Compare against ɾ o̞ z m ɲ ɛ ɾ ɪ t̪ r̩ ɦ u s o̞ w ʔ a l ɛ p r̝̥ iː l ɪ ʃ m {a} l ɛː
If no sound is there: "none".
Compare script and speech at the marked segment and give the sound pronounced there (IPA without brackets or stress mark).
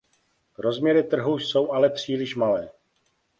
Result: a